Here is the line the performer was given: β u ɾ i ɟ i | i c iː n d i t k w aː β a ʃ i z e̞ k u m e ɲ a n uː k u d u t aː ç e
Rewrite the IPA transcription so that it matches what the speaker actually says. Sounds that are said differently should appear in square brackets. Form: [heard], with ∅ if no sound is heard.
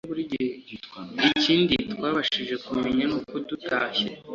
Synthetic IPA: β u ɾ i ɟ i | i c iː n d i t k w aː β a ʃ i [ʒ] e̞ k u m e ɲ a n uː k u d u t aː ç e